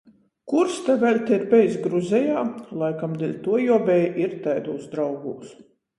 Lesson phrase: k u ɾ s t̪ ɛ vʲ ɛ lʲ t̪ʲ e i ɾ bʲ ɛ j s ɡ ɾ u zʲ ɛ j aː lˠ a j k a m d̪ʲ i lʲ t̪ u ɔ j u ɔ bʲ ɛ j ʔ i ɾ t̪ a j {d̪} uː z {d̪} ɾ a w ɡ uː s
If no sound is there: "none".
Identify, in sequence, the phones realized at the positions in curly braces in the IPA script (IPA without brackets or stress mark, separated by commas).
d̪, d̪